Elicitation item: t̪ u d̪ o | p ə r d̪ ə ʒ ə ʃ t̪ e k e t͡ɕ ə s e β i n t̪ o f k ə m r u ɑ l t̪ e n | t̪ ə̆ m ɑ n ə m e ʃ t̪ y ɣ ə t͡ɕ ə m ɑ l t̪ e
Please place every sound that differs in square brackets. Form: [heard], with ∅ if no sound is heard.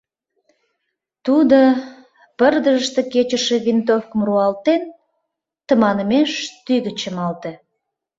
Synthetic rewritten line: t̪ u d̪ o | p ə r d̪ ə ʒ ə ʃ t̪ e k e t͡ɕ ə [ʃ] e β i n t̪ o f k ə m r u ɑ l t̪ e n | t̪ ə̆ m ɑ n ə m e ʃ t̪ y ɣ ə t͡ɕ ə m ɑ l t̪ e